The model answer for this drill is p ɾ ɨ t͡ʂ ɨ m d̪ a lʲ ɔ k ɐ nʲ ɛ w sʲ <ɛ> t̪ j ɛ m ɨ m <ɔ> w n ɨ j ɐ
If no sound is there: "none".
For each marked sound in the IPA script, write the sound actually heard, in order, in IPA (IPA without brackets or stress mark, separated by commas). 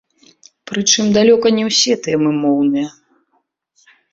ɛ, ɔ